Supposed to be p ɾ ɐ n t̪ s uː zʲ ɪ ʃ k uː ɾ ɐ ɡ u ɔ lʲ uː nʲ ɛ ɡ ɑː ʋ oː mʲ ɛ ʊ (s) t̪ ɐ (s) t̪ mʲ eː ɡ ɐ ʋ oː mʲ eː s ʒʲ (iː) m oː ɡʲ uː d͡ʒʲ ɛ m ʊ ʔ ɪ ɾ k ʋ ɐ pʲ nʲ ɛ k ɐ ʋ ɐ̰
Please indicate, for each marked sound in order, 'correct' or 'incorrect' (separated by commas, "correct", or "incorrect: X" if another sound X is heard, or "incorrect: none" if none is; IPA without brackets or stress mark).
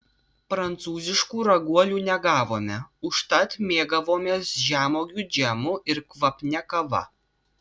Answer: incorrect: ʃ, incorrect: none, incorrect: æː